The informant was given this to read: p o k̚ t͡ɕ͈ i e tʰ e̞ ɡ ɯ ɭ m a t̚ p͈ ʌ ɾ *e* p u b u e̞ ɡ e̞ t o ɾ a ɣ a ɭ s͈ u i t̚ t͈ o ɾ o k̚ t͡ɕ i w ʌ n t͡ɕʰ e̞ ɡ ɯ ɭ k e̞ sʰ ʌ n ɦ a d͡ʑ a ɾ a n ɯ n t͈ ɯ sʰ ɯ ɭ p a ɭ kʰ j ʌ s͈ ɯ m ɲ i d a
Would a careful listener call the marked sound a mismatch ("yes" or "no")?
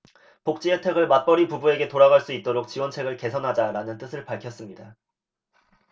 yes